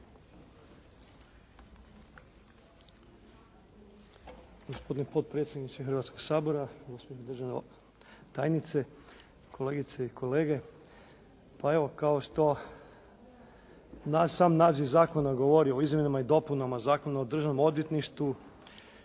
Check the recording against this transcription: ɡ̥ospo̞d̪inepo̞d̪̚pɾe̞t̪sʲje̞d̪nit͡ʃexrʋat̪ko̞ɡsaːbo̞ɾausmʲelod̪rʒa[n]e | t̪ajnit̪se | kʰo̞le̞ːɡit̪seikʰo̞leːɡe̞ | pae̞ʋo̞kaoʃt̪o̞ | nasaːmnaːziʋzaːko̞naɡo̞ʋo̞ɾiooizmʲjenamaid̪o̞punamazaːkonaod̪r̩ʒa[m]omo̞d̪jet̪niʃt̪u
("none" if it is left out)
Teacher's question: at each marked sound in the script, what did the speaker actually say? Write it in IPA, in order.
n, n

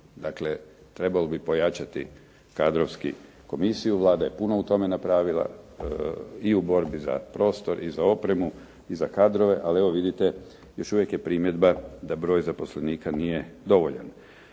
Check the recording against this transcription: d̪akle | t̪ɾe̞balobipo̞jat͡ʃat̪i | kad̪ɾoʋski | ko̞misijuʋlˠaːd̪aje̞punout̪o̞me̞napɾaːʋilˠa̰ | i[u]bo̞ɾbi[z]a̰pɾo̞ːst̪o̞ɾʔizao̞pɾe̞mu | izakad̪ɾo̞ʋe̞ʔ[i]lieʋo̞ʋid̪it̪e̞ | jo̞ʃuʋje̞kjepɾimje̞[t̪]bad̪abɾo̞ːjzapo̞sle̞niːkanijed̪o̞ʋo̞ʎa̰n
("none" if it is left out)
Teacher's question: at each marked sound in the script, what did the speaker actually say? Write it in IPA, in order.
u, z, a, d̪

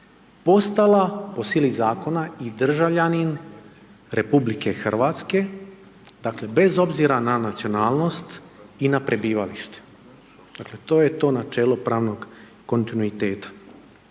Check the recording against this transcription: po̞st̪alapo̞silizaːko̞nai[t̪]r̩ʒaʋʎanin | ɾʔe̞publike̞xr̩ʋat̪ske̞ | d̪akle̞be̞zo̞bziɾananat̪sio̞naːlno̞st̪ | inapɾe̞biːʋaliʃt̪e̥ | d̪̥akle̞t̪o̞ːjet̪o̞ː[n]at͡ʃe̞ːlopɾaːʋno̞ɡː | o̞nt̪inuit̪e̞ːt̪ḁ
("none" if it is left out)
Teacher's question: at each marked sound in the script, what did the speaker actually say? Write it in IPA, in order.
d̪, n

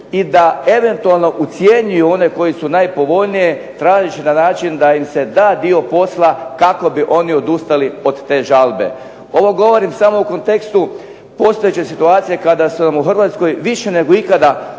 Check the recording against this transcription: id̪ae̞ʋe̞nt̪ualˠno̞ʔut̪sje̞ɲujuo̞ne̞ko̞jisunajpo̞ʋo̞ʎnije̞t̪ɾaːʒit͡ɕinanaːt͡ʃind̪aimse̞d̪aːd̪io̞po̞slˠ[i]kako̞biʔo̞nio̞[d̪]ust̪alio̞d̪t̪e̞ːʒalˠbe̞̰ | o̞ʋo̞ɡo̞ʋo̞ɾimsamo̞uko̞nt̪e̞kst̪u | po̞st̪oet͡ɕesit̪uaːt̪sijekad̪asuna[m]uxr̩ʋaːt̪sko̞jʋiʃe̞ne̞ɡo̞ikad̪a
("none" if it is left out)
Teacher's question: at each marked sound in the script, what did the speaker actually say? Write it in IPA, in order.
a, d̪, m

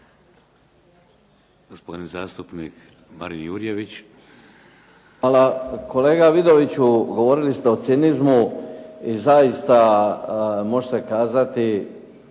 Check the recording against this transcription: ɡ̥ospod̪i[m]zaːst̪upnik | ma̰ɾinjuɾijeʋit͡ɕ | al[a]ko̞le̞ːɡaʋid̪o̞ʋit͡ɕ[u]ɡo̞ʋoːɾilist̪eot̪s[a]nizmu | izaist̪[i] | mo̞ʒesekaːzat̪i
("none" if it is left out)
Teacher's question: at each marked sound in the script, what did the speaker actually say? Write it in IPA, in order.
n, a, u, i, a

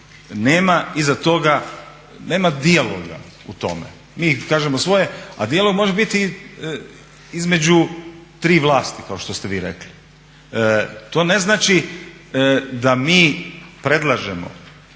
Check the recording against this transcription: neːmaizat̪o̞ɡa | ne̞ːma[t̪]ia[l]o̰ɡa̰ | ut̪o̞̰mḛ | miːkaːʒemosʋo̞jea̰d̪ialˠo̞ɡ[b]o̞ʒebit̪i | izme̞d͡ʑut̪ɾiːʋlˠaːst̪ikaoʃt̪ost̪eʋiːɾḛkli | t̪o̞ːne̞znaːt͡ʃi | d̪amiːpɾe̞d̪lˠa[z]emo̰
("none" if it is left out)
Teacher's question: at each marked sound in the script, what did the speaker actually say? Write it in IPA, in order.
d̪, l, m, ʒ

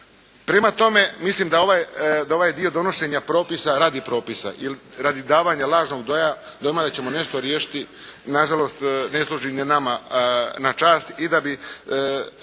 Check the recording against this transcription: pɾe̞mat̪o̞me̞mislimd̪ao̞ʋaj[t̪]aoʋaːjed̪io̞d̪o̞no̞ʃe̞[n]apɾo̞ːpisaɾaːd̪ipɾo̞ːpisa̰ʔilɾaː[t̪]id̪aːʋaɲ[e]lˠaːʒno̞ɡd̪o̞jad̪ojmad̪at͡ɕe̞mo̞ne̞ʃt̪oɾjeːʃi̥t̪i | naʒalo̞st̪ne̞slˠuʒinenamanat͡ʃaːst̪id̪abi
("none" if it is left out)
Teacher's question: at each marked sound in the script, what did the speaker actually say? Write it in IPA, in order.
d̪, ɲ, d̪, a

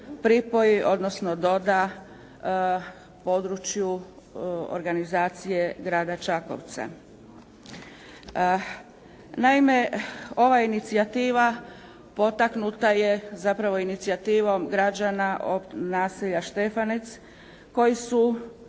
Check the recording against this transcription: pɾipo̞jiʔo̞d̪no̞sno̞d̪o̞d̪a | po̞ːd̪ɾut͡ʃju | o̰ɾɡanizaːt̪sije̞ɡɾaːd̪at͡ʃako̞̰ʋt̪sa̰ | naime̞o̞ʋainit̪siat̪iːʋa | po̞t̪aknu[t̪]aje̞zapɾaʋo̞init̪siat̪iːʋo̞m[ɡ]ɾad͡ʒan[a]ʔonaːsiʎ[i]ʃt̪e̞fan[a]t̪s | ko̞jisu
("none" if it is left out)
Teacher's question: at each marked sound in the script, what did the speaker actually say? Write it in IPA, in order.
t̪, ɡ, a, a, e

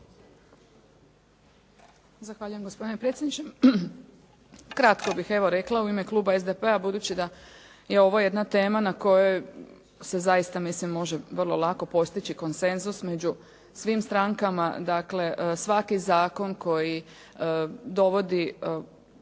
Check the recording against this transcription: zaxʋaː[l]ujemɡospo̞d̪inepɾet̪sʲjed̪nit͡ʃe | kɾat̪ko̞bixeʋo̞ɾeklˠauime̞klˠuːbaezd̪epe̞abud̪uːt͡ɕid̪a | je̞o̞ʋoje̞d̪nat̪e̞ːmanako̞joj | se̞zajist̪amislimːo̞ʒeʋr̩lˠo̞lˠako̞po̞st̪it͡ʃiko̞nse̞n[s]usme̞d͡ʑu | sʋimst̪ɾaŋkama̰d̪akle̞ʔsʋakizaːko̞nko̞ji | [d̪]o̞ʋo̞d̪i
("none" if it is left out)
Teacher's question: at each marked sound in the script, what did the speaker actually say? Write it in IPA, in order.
ʎ, z, d̪

